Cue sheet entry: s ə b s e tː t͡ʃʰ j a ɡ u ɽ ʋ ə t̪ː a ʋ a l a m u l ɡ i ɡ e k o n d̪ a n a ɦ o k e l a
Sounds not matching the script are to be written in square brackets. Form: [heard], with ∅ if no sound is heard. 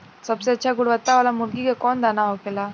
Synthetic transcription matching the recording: s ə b s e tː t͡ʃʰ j a ɡ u ɽ ʋ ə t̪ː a ʋ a l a m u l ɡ i ɡ e k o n d̪ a n a ɦ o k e l a

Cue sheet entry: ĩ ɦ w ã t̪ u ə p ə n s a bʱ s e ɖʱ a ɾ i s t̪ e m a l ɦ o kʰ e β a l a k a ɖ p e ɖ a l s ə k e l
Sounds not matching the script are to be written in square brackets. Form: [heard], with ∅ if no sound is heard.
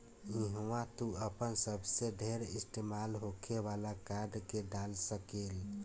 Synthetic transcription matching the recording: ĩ ɦ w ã t̪ u ə p ə n s [ə] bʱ s e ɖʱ [e] ɾ i s t̪ e m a l ɦ o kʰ e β a l a k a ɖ [k] e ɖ a l s ə k e l

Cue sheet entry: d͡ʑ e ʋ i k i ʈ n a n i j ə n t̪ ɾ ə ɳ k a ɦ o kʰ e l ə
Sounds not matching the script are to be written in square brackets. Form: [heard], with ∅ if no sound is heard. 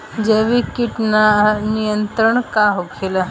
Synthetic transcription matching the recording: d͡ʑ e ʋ i k i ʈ n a n i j ə n t̪ ɾ ə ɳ k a ɦ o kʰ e l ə

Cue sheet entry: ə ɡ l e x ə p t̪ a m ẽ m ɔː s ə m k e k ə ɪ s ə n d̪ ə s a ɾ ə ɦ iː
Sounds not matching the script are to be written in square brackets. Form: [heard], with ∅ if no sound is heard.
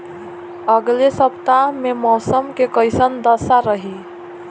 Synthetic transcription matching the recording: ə ɡ l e [s] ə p t̪ a m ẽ m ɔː s ə m k e k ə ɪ s ə n d̪ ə s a ɾ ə ɦ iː

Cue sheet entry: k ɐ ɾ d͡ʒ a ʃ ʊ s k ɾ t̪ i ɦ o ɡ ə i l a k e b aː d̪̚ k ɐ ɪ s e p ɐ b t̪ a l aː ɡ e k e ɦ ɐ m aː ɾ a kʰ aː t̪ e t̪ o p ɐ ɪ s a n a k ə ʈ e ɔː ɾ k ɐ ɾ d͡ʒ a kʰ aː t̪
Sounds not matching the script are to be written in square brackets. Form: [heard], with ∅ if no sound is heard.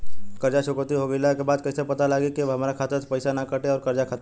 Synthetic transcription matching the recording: k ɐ ɾ d͡ʒ a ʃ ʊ [∅] k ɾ t̪ i ɦ o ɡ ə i l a k e b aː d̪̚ k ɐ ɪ s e p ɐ [∅] t̪ a l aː ɡ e k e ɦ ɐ m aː ɾ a kʰ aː t̪ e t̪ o p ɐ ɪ s a n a k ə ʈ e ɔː ɾ k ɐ ɾ d͡ʒ a kʰ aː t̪

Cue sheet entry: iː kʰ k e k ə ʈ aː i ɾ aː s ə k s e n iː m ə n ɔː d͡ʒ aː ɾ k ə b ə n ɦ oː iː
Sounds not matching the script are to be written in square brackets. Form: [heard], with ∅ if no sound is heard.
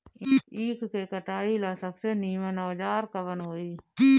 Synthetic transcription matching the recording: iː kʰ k e k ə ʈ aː i [l] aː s ə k s e n iː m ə n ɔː d͡ʒ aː ɾ k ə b ə n ɦ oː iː

